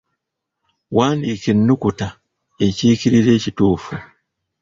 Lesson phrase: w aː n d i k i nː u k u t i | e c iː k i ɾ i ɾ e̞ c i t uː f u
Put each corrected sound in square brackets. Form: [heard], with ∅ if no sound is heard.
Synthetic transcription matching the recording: w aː n d i k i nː u k u t [a] | e c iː k i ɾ i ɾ e̞ c i t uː f u